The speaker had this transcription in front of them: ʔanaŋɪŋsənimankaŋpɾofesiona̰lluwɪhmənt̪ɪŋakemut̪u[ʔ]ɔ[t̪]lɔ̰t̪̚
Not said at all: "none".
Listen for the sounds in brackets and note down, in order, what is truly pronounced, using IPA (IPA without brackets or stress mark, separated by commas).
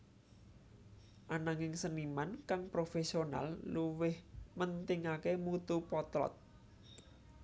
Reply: p, t̪